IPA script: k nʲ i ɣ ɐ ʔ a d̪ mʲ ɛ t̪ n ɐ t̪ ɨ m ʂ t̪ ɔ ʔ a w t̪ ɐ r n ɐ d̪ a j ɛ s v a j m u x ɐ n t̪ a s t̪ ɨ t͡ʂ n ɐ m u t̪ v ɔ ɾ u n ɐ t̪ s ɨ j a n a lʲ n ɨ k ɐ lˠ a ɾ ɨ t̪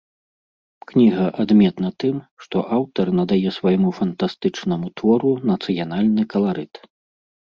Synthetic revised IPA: k nʲ i ɣ ɐ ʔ a d̪ mʲ ɛ t̪ n ɐ t̪ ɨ m ʂ t̪ ɔ ʔ a w t̪ ɐ r n ɐ d̪ a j ɛ s v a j m u f ɐ n t̪ a s t̪ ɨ t͡ʂ n ɐ m u t̪ v ɔ ɾ u n ɐ t̪ s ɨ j a n a lʲ n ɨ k ɐ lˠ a ɾ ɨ t̪